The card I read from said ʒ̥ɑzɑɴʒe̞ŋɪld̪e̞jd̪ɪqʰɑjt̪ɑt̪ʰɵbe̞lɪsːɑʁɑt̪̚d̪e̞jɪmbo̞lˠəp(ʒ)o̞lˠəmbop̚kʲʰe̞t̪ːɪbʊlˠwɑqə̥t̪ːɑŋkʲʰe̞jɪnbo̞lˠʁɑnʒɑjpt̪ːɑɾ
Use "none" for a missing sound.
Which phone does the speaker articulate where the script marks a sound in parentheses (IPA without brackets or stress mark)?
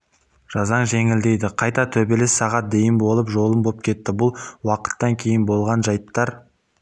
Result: ʒ